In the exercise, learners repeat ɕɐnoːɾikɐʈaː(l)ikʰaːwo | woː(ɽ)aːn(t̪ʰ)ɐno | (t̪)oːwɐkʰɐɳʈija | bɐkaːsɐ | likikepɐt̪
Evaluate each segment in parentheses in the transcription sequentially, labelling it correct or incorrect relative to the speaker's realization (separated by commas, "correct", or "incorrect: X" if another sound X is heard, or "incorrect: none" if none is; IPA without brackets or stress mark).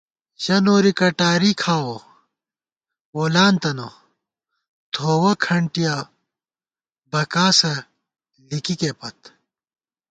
incorrect: ɾ, incorrect: l, incorrect: t̪, incorrect: t̪ʰ